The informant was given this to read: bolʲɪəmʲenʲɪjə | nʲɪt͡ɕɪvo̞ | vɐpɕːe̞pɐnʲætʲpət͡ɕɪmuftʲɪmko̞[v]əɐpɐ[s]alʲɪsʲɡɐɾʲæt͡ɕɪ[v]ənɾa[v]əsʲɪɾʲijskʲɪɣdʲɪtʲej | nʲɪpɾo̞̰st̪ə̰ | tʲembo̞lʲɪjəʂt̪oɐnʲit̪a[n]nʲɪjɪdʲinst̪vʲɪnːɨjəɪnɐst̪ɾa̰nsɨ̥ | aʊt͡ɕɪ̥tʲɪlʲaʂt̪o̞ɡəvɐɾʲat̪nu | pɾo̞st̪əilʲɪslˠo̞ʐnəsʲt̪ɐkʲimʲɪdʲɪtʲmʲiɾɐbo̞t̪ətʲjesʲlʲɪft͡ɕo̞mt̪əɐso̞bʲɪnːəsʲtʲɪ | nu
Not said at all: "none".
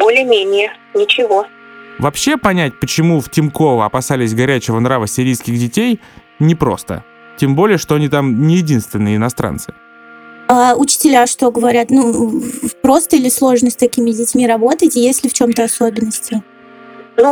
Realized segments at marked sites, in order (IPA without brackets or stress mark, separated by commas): v, s, v, v, m